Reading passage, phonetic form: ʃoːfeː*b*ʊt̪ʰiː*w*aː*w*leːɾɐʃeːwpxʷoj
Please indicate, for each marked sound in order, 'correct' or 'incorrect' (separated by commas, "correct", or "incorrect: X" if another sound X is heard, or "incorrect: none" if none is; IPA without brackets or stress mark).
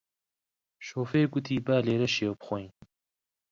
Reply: incorrect: ɡ, incorrect: b, incorrect: none